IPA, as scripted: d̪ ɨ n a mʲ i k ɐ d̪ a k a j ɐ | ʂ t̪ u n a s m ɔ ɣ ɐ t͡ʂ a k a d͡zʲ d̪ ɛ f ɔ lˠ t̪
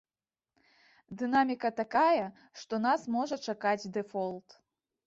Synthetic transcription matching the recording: d̪ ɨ n a mʲ i k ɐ t̪ a k a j ɐ | ʂ t̪ ɔ n a s m ɔ ʐ ɐ t͡ʂ a k a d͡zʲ d̪ ɛ f ɔ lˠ t̪